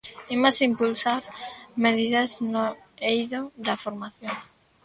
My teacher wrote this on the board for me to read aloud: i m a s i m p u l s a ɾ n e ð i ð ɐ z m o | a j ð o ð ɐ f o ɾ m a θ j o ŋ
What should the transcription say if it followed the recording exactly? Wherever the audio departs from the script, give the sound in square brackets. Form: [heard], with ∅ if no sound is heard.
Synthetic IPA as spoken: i m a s i m p u l s a ɾ [m] e ð i ð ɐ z [n] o | [e] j ð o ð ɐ f o ɾ m a θ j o ŋ